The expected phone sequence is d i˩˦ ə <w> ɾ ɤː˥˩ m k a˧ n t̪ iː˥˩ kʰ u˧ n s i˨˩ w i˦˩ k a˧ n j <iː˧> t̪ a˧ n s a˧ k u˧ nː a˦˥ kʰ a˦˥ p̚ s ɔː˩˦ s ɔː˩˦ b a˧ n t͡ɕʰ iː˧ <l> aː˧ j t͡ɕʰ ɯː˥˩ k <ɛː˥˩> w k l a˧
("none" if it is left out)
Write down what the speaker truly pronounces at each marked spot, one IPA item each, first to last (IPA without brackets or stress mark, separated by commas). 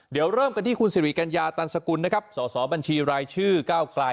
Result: w, aː˧, ɾ, aː˥˩